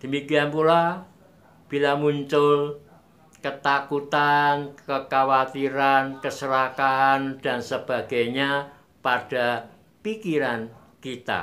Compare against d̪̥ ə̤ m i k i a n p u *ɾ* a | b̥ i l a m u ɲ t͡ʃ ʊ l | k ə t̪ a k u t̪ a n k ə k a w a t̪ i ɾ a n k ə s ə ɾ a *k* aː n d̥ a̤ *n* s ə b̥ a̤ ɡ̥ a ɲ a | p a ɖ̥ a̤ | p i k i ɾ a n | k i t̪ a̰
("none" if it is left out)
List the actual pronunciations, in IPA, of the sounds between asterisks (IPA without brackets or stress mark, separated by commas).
l, k, n